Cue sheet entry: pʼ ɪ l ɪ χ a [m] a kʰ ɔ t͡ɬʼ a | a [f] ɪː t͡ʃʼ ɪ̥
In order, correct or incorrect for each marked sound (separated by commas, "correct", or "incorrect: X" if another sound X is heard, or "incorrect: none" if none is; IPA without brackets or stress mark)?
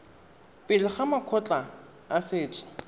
correct, incorrect: s